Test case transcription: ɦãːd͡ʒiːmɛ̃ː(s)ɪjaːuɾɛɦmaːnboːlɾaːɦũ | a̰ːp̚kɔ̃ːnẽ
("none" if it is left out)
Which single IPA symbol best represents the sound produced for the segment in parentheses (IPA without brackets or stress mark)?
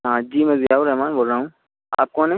z